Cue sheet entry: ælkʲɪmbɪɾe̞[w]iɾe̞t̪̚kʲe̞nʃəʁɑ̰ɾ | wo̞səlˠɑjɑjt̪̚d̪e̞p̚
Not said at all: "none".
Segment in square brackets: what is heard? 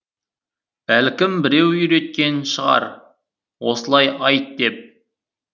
w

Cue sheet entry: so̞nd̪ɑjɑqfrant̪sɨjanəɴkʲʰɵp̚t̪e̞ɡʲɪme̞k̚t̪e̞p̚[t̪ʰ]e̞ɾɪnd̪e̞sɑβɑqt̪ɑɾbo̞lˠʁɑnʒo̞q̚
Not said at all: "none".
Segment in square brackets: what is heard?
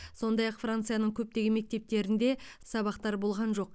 t̪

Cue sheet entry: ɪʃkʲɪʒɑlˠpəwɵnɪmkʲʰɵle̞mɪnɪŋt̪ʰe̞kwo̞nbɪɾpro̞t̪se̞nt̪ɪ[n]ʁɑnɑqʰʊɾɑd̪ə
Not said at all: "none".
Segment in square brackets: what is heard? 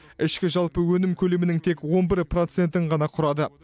ɴ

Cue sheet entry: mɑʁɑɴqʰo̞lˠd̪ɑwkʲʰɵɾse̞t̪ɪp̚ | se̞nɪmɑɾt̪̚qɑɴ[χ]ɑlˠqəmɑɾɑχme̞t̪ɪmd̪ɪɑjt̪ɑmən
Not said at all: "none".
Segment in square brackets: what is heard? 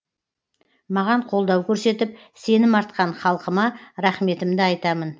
χ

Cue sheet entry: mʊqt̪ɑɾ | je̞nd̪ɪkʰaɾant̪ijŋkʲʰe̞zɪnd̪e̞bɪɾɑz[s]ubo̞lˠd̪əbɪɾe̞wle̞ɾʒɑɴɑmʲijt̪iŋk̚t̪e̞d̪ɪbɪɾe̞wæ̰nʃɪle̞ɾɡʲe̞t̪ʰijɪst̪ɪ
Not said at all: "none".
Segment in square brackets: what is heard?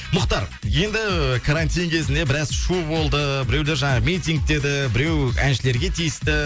ʃ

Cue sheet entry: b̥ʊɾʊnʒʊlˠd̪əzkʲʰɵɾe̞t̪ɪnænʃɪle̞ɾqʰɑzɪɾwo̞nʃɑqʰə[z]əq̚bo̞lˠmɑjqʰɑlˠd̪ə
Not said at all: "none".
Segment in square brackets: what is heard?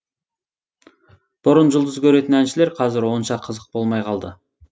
z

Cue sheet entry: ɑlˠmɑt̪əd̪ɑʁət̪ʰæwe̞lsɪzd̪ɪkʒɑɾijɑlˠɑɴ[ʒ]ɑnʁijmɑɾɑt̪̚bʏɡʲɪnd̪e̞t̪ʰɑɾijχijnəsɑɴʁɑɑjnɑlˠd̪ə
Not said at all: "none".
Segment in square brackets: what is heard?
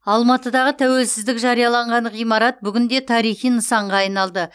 ʁ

